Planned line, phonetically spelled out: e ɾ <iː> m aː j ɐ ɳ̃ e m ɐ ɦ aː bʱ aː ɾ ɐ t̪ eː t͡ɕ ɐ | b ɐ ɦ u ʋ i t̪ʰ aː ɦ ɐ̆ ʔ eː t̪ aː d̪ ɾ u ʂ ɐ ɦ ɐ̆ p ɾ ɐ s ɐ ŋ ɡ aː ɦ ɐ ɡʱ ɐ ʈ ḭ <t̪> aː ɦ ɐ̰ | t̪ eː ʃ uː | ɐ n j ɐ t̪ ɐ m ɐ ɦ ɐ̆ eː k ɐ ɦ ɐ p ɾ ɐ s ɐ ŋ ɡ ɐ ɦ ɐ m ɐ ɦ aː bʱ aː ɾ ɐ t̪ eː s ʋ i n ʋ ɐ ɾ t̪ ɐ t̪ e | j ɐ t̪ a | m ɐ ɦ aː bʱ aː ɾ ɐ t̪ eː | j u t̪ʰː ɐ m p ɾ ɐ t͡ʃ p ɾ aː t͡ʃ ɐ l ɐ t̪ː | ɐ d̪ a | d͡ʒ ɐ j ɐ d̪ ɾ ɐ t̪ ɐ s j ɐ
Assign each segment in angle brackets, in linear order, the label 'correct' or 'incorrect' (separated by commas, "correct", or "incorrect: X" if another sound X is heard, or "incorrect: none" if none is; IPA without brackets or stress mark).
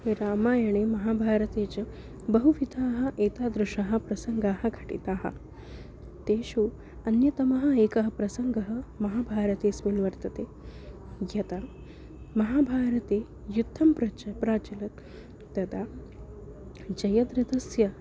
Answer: incorrect: aː, correct